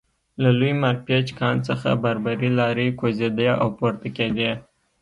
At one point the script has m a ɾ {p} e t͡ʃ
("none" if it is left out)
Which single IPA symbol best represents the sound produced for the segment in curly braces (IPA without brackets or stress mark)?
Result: p